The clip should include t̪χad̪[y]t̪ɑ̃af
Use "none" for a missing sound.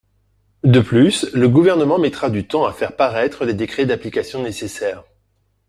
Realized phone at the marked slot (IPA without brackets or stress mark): y